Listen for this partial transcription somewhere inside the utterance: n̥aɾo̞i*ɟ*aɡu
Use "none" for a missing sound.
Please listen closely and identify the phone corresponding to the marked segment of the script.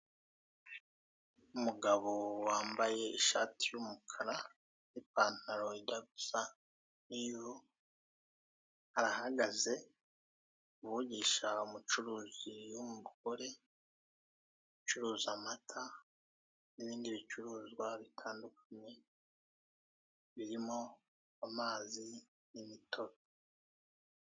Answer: d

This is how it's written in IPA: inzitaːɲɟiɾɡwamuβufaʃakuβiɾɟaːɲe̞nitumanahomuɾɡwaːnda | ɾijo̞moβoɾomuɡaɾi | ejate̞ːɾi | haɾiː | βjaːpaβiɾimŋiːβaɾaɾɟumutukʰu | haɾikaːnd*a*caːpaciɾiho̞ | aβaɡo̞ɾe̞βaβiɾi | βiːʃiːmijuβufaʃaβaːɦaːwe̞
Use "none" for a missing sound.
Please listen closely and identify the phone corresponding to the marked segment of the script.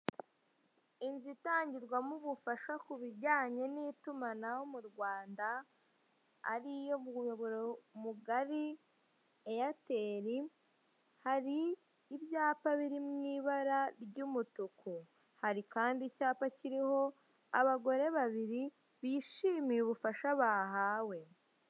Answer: i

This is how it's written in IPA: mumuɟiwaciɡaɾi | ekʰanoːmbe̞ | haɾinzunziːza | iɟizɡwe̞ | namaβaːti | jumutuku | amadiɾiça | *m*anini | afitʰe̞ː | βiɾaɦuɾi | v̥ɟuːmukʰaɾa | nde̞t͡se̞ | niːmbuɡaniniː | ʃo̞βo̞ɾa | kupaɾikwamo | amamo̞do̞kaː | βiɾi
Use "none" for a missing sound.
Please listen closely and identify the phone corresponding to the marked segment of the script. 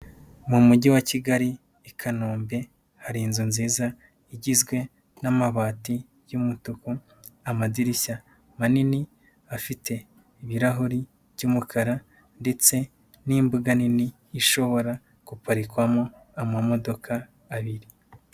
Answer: m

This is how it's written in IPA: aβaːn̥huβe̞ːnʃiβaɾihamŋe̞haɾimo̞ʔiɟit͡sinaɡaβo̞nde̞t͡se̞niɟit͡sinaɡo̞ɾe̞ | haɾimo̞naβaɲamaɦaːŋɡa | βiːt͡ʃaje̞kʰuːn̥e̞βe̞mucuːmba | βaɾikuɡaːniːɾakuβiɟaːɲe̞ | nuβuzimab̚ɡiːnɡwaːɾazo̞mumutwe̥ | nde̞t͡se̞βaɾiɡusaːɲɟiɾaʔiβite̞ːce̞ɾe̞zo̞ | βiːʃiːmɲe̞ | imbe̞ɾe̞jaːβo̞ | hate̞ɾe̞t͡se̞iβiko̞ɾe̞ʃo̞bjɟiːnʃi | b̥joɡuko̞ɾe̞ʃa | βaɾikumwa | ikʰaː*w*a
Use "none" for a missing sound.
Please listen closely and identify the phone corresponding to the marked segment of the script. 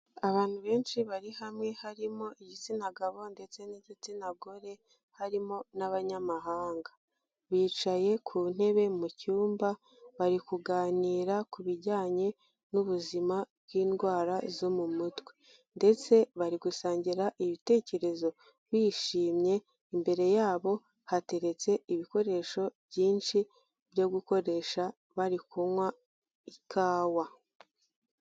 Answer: w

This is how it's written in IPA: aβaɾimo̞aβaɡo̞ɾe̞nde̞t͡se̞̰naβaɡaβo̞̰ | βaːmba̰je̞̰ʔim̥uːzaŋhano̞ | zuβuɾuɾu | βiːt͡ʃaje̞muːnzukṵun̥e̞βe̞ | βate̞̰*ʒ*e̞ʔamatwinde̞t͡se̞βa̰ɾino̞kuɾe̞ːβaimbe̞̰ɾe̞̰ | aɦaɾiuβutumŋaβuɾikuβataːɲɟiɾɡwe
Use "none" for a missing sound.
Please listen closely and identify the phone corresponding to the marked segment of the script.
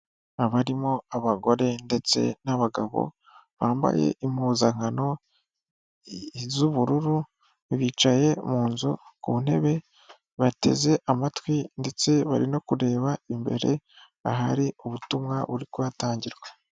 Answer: z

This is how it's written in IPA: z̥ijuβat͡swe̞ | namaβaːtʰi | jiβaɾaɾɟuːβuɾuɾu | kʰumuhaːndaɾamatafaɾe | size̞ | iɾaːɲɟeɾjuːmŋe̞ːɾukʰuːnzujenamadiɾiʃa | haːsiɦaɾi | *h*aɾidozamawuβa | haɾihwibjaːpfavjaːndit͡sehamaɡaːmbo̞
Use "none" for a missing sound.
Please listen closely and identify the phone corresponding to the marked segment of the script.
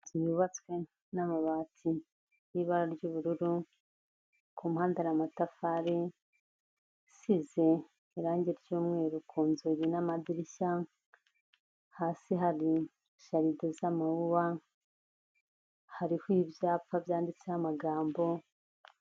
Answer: ʃ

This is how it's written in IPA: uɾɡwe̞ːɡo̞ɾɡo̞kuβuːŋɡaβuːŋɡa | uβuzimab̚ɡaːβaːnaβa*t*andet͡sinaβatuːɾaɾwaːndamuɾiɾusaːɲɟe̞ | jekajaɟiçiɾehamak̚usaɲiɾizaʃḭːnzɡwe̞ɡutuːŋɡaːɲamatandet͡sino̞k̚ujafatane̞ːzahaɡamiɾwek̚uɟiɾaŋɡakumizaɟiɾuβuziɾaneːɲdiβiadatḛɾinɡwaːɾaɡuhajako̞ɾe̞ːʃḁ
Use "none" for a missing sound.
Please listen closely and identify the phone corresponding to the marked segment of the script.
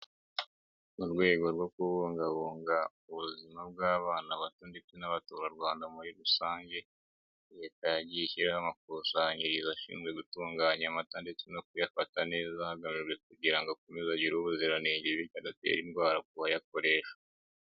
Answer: t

